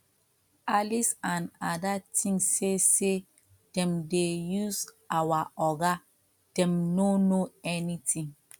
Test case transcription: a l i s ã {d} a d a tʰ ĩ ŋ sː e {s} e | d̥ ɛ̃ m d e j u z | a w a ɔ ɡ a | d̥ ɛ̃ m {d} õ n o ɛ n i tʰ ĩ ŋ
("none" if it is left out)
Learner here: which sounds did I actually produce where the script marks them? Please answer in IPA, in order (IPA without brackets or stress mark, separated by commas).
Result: n, s, n